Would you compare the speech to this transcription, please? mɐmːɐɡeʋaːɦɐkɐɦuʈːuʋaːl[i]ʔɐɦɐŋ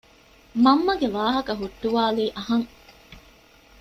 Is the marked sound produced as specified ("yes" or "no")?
no